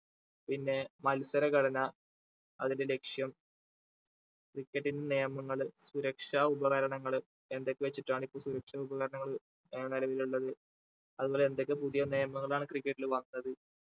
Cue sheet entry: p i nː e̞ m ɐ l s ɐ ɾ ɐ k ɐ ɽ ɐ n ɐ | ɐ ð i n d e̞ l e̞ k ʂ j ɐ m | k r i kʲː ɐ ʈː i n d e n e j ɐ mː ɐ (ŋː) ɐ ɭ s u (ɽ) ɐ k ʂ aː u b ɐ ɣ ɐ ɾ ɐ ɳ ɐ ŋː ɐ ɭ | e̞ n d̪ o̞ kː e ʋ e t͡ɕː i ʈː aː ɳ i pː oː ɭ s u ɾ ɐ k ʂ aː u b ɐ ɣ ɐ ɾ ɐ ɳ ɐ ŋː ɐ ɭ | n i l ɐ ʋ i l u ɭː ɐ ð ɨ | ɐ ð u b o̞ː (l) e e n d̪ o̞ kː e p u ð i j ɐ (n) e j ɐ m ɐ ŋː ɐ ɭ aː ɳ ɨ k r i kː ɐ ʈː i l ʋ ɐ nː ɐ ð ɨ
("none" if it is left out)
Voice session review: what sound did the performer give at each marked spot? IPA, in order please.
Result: ŋː, ɾ, l, n

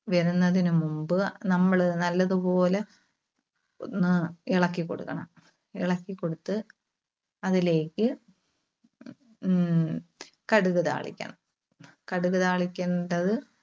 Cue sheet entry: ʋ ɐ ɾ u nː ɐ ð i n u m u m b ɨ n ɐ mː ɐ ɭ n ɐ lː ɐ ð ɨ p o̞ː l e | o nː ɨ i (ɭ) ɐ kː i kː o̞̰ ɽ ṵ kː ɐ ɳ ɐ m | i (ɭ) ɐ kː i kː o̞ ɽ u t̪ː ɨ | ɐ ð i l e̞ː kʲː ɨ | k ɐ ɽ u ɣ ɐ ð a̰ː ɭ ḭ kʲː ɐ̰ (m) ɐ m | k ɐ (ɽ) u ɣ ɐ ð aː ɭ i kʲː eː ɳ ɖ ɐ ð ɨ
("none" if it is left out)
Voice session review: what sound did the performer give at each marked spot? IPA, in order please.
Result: ɭ, ɭ, ɳ, ɽ

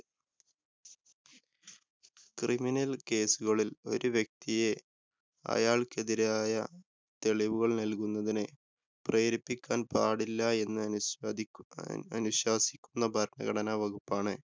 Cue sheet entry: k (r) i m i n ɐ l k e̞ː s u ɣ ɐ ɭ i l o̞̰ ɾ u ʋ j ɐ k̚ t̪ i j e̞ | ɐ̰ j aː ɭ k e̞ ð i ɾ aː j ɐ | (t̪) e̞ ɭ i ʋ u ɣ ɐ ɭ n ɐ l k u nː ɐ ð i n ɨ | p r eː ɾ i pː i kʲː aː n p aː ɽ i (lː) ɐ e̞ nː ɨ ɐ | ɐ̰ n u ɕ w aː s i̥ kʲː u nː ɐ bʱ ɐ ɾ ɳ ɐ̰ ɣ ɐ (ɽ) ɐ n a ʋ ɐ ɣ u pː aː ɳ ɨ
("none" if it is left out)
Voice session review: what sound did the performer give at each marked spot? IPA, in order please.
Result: r, t̪, lː, ɽ

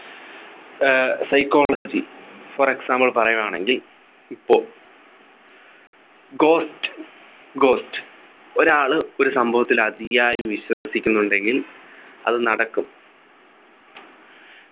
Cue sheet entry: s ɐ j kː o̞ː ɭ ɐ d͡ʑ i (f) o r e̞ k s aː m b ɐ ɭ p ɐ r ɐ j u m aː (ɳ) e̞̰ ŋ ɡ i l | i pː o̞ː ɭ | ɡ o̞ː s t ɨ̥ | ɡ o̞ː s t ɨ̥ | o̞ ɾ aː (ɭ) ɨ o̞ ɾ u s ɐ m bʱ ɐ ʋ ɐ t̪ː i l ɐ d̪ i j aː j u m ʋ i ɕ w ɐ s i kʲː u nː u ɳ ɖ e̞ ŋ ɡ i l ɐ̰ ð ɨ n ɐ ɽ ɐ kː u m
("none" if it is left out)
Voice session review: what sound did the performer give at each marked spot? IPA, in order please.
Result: f, ɳ, ɭ

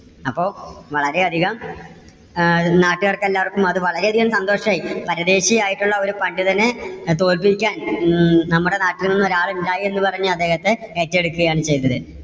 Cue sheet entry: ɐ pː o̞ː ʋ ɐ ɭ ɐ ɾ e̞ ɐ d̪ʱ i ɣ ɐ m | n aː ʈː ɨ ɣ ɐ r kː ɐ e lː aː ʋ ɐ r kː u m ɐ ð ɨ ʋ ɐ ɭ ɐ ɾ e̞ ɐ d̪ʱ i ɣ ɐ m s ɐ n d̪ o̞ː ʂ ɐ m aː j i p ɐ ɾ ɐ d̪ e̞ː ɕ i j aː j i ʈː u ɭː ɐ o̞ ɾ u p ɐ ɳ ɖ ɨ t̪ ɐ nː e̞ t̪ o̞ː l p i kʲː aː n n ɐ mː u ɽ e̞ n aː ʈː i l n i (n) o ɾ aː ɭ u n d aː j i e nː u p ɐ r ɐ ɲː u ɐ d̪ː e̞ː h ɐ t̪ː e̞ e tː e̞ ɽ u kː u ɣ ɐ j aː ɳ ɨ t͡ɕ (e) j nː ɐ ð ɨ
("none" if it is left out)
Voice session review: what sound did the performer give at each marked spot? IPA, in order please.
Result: nː, e

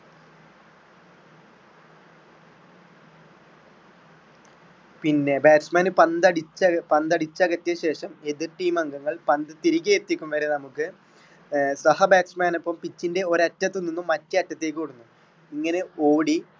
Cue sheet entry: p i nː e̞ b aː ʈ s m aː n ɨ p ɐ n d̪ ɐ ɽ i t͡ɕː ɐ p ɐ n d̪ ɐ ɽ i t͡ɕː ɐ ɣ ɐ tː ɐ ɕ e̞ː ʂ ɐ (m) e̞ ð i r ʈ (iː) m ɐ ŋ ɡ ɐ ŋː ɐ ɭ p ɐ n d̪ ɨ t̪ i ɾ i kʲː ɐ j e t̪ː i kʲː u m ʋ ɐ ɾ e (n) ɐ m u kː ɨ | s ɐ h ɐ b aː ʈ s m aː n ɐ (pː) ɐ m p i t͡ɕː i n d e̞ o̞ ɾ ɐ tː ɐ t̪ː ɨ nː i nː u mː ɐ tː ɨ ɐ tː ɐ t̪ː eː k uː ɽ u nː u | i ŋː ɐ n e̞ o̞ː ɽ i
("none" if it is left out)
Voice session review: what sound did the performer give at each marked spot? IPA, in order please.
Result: m, iː, n, pː

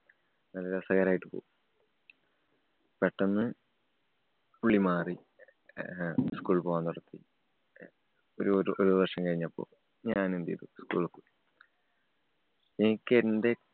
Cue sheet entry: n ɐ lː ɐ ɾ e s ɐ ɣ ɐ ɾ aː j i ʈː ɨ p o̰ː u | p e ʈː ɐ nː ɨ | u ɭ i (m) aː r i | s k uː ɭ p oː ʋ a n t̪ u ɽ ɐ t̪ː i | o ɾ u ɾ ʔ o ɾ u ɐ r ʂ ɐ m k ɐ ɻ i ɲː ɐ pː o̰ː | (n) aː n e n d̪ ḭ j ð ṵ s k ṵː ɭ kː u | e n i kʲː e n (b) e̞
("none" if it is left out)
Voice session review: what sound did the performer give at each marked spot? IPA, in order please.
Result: m, ɲ, d

